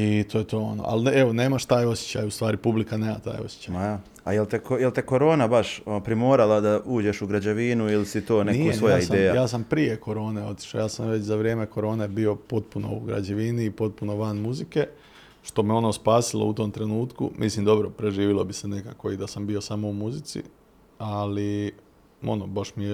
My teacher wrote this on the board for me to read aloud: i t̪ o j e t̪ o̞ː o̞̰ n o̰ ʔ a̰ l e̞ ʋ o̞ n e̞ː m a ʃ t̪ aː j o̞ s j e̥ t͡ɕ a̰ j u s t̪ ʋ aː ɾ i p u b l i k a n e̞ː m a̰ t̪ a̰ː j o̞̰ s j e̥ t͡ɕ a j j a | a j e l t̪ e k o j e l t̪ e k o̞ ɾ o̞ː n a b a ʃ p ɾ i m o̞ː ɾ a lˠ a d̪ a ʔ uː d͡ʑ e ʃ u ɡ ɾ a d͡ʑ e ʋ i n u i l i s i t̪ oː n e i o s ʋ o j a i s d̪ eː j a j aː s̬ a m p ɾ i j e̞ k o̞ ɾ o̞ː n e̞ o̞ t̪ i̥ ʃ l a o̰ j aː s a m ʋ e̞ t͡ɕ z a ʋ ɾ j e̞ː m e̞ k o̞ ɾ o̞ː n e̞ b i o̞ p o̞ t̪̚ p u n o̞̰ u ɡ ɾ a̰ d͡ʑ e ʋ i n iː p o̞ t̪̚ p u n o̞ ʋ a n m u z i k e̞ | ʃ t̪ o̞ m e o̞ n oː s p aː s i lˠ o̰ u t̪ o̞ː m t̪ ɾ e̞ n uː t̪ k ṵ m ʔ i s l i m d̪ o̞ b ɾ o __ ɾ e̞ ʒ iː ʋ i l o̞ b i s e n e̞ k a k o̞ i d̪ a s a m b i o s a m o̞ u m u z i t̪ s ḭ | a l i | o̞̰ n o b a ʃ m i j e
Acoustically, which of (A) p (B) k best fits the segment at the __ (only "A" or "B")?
A